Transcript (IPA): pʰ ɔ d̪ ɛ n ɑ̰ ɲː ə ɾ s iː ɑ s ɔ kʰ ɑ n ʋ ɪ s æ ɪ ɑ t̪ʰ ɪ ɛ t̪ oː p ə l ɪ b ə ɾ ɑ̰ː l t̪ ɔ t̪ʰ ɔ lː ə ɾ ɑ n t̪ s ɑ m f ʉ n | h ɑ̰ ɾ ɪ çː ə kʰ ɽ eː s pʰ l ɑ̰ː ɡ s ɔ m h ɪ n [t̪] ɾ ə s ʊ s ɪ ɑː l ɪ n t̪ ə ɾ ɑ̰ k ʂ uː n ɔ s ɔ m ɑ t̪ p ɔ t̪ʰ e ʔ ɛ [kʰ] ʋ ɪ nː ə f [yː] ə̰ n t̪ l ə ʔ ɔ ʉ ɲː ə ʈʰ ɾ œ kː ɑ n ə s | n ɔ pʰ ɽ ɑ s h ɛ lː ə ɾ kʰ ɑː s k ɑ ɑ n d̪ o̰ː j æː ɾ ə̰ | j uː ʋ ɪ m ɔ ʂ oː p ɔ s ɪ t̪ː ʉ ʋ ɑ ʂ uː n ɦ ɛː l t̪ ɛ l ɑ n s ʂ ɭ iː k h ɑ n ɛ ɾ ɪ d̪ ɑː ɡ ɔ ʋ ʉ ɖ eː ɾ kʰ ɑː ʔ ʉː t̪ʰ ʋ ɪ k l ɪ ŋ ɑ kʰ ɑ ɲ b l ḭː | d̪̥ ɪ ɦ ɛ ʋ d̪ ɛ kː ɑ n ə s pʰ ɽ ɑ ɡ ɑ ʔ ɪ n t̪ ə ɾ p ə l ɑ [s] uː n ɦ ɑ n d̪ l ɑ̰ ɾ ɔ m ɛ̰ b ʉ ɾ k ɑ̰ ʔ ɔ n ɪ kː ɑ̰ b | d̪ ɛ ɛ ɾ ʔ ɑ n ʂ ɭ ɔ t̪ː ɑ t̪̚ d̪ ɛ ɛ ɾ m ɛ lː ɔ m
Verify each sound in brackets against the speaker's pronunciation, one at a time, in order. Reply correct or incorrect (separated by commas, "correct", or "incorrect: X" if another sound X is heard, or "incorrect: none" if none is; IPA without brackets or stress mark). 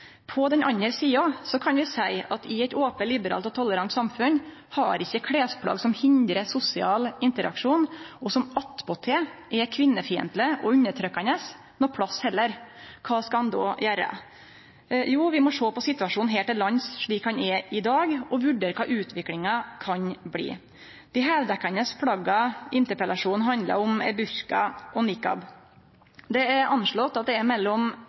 incorrect: d̪, correct, incorrect: iː, incorrect: ʂ